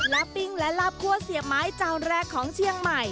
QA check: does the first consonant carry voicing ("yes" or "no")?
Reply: yes